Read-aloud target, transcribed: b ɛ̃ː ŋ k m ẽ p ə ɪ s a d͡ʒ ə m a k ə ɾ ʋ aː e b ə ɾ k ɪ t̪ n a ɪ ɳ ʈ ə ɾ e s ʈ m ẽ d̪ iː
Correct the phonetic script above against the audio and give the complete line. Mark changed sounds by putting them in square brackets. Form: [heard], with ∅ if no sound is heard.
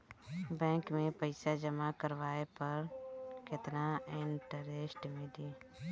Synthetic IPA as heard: b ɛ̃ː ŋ k m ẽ p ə ɪ s a d͡ʒ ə m a k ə ɾ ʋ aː e [p] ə ɾ k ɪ t̪ n a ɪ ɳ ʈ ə ɾ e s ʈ m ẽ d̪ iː